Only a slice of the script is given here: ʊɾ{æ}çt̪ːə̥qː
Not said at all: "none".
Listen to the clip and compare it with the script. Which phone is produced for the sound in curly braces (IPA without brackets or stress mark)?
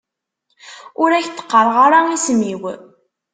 æ